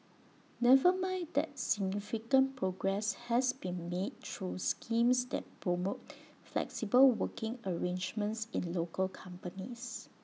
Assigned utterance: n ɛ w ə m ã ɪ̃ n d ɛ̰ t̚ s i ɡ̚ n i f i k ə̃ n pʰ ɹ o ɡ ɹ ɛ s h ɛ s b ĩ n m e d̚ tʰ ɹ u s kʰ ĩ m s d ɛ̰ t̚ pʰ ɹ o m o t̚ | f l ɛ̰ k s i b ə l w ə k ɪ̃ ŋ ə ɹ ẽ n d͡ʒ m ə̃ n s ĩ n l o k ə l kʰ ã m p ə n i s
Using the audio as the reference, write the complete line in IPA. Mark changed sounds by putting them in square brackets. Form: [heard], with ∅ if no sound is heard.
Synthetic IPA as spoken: n ɛ [v] ə m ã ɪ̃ n d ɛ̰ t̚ s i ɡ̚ n i f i k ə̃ n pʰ ɹ o ɡ ɹ ɛ s h ɛ s b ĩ n m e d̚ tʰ ɹ u s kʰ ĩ m s d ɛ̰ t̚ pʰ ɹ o m o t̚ | f l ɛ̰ k s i b ə l w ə k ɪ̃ ŋ ə ɹ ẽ n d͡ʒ m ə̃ n s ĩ n l o k ə l kʰ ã m p ə n i s